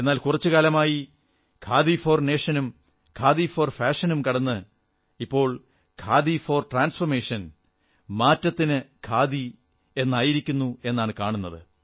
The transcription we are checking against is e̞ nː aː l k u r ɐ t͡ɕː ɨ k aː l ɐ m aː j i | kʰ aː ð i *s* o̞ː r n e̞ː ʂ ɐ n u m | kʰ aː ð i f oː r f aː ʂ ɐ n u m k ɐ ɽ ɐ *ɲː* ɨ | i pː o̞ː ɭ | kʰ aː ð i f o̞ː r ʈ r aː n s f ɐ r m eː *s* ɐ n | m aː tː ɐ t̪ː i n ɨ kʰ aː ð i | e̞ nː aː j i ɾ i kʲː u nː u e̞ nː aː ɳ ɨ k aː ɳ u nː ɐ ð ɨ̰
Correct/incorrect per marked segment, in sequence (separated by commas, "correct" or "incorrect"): incorrect, incorrect, incorrect